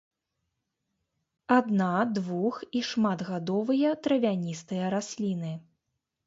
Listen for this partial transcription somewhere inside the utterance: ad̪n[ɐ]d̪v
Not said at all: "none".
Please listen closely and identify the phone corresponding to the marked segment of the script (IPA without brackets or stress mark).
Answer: a